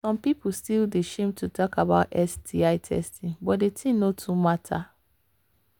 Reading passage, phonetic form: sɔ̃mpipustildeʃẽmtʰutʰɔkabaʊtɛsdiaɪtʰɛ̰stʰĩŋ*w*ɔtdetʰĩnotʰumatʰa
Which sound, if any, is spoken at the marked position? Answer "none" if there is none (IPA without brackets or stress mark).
b